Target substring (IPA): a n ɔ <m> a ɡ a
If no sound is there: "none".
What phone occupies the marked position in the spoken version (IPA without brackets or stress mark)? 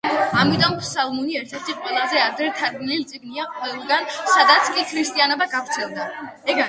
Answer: b